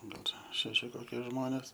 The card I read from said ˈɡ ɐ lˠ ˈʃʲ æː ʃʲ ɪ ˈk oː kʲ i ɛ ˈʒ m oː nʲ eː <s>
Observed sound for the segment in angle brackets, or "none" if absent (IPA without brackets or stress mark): s